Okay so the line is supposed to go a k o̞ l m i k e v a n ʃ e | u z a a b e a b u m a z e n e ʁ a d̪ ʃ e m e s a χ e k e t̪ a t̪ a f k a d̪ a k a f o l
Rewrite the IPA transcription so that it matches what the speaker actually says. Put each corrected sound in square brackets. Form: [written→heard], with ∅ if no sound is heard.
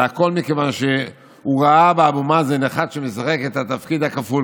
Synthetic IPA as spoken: a k o̞ l m i k e v a n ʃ e | u [z→ʁ] a a b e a b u m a z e n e [ʁ→χ] a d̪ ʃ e m e s a χ e k e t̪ a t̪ a f k [a→i] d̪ a k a f [o→u] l